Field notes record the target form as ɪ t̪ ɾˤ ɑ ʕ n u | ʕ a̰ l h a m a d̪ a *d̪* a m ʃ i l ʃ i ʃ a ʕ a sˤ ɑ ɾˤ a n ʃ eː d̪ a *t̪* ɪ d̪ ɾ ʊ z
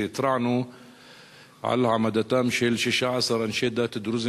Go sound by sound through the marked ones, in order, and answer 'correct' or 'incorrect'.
incorrect: t̪, correct

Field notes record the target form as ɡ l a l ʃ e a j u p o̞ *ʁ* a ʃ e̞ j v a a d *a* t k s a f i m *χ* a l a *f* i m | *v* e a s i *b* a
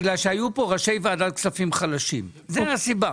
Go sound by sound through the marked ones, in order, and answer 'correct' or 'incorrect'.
correct, correct, correct, incorrect: ʃ, incorrect: z, correct

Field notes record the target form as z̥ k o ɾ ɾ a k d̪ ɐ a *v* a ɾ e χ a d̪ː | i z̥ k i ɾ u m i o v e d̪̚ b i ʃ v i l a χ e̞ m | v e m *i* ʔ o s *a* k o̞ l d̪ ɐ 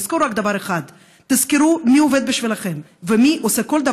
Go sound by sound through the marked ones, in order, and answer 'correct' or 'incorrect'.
correct, correct, incorrect: e

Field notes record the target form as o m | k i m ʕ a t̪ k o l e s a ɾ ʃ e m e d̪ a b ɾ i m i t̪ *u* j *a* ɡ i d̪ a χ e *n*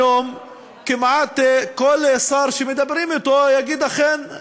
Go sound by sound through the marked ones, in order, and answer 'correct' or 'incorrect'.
incorrect: o, correct, correct

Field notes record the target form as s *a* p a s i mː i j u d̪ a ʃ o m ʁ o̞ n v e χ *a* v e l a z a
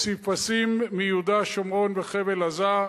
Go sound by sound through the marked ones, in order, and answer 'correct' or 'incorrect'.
incorrect: i, incorrect: e

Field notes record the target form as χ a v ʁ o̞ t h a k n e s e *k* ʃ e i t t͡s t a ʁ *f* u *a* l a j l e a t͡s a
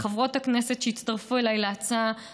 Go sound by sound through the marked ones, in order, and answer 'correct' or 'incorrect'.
incorrect: t, correct, incorrect: e

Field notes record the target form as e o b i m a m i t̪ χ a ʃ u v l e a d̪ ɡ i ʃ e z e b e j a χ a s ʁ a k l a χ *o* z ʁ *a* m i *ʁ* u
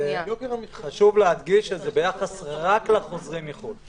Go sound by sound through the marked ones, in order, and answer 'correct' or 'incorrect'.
correct, incorrect: i, incorrect: χ

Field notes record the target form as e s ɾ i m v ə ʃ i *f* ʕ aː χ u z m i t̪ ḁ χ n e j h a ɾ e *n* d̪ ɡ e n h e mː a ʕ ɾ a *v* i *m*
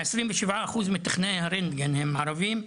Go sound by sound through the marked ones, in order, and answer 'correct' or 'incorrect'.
incorrect: v, correct, correct, correct

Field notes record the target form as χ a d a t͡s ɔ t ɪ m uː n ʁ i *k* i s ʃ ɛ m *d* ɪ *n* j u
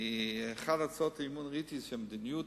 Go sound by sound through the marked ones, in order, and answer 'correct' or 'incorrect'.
incorrect: t, correct, correct

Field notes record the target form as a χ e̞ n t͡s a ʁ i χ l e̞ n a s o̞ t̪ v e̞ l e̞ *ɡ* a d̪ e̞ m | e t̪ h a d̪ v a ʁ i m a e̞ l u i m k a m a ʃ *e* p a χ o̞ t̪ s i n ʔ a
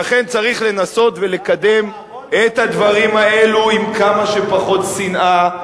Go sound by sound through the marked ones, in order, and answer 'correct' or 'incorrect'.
incorrect: k, correct

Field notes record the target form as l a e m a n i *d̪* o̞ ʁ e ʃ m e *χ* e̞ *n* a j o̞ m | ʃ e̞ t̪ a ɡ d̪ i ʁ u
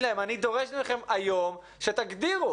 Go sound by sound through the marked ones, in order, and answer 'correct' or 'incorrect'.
correct, correct, incorrect: m

